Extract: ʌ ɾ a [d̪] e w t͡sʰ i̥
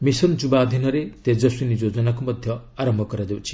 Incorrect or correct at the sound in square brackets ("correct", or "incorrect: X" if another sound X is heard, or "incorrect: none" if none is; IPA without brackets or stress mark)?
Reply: correct